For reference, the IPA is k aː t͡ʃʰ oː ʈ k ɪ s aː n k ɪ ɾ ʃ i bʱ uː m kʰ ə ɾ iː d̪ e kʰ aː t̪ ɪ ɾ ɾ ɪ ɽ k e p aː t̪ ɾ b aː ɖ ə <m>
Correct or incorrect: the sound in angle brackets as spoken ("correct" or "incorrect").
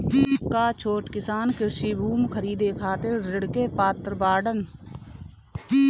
incorrect